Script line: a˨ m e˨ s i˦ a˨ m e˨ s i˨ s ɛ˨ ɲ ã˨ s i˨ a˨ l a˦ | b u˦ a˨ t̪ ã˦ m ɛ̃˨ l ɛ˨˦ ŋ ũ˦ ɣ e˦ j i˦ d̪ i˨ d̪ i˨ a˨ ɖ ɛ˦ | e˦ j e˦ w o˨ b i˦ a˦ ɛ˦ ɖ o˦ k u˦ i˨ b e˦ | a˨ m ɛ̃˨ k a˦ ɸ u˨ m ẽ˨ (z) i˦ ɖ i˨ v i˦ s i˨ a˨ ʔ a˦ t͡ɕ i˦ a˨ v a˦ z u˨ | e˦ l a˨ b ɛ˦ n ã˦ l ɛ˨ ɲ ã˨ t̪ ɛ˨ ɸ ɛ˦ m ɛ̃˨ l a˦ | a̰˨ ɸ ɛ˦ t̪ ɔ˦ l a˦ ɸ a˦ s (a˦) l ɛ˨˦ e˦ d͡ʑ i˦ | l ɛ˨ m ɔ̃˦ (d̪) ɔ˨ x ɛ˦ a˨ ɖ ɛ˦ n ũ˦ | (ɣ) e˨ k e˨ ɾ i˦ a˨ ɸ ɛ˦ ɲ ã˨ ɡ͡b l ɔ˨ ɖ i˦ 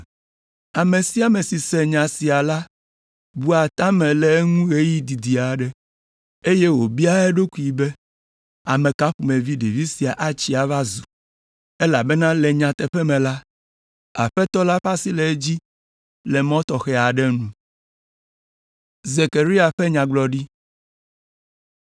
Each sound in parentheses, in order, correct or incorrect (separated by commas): incorrect, incorrect, incorrect, incorrect